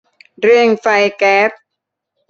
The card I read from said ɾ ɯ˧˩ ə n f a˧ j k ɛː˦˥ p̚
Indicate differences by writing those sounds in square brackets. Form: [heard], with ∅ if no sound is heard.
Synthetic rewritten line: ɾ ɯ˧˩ ə [ŋ] f a˧ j k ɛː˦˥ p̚